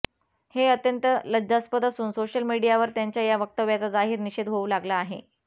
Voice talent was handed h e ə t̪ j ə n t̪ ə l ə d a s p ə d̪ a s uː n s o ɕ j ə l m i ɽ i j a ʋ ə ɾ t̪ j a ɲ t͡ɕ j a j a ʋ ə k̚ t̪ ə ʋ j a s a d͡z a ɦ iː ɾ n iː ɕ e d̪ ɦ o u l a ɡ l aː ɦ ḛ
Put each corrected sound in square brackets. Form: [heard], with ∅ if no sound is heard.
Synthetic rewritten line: h e ə t̪ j ə n t̪ ə l ə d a s p ə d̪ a s uː n s o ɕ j ə l m i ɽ i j a ʋ ə ɾ t̪ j a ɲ t͡ɕ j a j a ʋ ə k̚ t̪ ə ʋ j a [t͡s] a d͡z a ɦ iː ɾ n [i] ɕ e d̪ ɦ o u l a ɡ l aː ɦ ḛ